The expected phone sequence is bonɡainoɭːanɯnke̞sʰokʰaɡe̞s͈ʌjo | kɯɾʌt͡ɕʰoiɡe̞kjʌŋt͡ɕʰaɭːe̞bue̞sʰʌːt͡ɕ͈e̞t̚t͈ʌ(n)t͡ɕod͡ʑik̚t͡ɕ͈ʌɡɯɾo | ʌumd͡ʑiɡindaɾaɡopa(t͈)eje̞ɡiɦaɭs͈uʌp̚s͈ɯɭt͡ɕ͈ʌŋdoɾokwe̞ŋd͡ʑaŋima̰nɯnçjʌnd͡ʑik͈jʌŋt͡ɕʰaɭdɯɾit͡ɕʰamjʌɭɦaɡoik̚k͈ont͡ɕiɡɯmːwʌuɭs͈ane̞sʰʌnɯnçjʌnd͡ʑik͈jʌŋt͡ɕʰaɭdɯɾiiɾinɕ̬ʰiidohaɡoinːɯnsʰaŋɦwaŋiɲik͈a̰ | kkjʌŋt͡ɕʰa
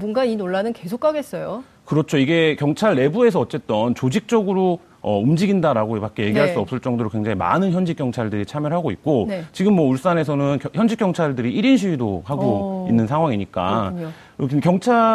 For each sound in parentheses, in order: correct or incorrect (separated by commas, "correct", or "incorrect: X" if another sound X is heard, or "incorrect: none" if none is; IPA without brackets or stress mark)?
correct, incorrect: k͈